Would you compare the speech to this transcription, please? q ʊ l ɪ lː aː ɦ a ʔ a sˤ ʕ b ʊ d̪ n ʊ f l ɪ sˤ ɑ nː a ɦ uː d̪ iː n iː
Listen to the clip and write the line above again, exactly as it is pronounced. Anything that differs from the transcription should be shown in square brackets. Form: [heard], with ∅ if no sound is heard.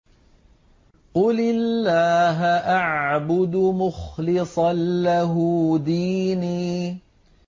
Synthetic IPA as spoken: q ʊ l ɪ lː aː ɦ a ʔ a [∅] ʕ b ʊ d̪ [m] ʊ [x] l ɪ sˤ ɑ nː a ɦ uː d̪ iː n iː